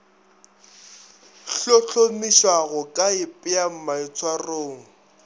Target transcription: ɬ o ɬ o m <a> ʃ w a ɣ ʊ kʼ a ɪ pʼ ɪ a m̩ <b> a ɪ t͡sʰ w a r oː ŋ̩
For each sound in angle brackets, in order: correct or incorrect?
incorrect: i, incorrect: m

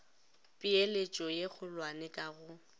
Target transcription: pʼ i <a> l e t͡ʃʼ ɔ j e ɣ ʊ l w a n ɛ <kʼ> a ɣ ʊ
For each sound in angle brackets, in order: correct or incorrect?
incorrect: e, correct

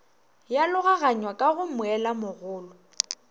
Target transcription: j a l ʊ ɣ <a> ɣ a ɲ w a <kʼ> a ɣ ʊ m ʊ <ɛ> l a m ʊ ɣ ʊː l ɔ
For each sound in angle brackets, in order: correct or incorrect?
correct, correct, correct

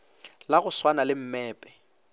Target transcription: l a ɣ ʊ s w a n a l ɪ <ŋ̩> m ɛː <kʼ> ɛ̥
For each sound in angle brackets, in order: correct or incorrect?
incorrect: m̩, incorrect: pʼ

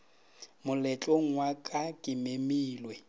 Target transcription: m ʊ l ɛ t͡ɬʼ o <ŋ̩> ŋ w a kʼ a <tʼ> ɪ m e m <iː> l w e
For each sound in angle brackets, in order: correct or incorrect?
correct, incorrect: kʼ, correct

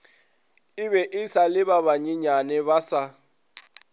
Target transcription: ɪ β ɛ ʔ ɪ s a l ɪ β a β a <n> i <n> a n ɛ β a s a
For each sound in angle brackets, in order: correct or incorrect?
incorrect: ɲ, incorrect: ɲ

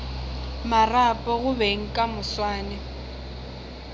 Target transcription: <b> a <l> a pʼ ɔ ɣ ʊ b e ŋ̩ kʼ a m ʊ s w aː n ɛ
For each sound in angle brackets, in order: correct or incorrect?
incorrect: m, incorrect: r

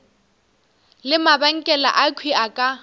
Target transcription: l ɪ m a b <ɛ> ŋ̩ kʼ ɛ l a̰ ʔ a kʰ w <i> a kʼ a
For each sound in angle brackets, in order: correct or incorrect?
incorrect: a, correct

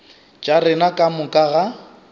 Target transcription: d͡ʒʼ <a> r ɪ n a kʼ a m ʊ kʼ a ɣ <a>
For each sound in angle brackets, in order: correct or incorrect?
correct, correct

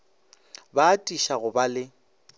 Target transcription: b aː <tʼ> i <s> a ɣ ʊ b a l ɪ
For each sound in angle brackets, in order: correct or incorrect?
correct, incorrect: ʃ

